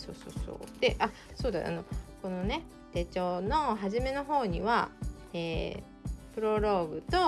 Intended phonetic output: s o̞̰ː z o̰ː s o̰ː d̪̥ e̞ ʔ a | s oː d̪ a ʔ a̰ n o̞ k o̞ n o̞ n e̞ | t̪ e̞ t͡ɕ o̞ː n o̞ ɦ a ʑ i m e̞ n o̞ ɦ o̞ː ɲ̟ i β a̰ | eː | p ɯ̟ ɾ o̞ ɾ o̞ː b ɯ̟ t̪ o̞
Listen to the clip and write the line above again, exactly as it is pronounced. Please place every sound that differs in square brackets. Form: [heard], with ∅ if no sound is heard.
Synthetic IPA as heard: s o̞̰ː [s] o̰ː s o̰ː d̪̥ e̞ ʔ a | s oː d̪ a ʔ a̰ n o̞ k o̞ n o̞ n e̞ | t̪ e̞ t͡ɕ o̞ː n o̞ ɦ a ʑ i m e̞ n o̞ ɦ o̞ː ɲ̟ i β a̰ | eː | p ɯ̟ ɾ o̞ ɾ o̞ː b ɯ̟ t̪ o̞

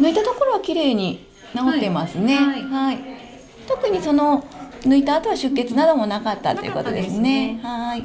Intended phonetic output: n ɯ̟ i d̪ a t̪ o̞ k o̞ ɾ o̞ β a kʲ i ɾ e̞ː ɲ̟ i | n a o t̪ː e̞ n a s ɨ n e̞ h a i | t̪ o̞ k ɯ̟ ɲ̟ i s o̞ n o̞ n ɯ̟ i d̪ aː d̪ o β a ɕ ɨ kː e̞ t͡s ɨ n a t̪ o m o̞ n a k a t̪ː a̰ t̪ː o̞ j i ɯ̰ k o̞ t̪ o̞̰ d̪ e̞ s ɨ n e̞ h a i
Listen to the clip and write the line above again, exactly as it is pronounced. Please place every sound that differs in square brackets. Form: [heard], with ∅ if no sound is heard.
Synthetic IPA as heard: n ɯ̟ i [t̪] a t̪ o̞ k o̞ ɾ o̞ β a kʲ i ɾ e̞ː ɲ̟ i | n a o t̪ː e̞ [m] a s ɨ n e̞ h a i | t̪ o̞ k ɯ̟ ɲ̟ i s o̞ n o̞ n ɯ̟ i [t̪] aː [t̪] o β a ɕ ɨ kː e̞ t͡s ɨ n a [d̪] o m o̞ n a k a t̪ː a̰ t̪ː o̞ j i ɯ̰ k o̞ t̪ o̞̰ d̪ e̞ s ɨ n e̞ h a i

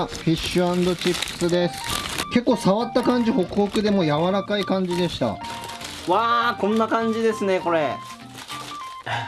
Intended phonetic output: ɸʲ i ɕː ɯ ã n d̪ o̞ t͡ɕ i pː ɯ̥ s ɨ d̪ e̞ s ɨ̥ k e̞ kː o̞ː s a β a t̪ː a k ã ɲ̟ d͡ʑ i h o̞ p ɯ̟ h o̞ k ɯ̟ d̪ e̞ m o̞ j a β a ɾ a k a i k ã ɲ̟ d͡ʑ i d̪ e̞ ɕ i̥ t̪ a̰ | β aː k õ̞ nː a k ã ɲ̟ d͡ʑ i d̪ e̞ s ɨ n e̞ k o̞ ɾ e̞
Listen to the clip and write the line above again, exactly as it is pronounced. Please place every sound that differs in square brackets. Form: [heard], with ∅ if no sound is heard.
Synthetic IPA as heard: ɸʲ i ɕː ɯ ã n d̪ o̞ t͡ɕ i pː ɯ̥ s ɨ d̪ e̞ s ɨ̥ k e̞ kː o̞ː s a β a t̪ː a k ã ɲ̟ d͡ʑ i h o̞ [k] ɯ̟ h o̞ k ɯ̟ d̪ e̞ m o̞ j a β a ɾ a k a i k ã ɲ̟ d͡ʑ i d̪ e̞ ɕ i̥ t̪ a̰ | β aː k õ̞ nː a k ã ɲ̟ d͡ʑ i d̪ e̞ s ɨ n e̞ k o̞ ɾ e̞

